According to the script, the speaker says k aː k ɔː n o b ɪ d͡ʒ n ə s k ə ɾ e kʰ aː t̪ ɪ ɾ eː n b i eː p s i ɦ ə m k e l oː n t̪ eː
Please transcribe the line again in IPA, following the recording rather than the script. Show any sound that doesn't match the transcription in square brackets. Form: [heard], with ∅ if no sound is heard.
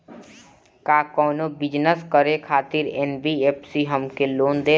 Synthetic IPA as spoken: k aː k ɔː n o b ɪ d͡ʒ n ə s k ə ɾ e kʰ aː t̪ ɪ ɾ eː n b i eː p s i ɦ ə m k e l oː n [d̪] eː